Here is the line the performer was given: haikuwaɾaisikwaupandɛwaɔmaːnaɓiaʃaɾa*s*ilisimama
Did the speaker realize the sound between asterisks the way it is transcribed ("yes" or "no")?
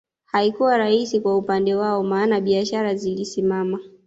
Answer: no